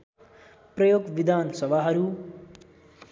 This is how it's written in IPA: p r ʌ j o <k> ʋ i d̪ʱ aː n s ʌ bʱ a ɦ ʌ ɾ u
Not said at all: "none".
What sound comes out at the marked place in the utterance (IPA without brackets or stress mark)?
ɡ